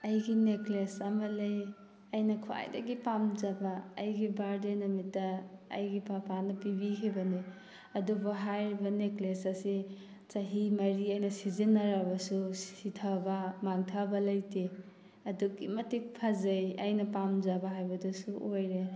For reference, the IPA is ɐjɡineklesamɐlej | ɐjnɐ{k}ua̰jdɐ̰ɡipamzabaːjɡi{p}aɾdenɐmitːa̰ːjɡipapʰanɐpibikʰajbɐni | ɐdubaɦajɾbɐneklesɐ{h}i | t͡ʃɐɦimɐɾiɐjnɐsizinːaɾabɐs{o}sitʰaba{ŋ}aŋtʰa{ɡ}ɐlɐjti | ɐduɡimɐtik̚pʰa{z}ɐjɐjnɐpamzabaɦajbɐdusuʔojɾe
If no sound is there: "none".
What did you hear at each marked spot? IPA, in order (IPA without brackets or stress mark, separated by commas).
kʰ, b, s, u, m, b, z